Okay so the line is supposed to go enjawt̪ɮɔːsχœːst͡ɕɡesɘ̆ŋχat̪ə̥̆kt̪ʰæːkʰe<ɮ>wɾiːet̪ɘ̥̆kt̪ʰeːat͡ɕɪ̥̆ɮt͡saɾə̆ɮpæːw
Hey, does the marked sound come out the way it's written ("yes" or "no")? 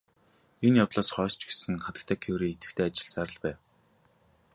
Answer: no